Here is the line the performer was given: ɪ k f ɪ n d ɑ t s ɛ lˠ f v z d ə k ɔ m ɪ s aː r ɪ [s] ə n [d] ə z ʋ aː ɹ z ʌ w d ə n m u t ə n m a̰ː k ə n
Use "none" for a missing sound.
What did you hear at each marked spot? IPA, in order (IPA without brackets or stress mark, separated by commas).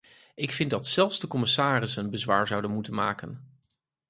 s, b